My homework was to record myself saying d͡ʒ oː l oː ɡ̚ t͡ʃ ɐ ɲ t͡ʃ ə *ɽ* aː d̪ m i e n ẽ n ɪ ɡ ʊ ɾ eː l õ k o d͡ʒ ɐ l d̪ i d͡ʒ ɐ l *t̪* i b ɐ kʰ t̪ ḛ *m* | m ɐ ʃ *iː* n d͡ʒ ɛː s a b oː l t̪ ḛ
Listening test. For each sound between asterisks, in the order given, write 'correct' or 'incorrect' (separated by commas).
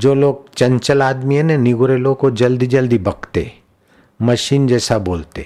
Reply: incorrect, incorrect, incorrect, correct